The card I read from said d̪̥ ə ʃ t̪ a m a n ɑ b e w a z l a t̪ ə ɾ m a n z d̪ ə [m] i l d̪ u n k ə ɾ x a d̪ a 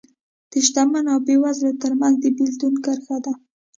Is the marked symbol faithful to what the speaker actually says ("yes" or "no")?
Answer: no